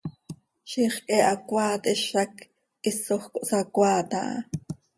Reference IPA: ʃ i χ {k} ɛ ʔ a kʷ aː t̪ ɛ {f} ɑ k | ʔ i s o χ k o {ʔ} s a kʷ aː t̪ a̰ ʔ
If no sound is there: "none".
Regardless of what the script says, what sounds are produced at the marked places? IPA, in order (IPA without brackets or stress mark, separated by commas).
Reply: kʼ, ʃ, ʔ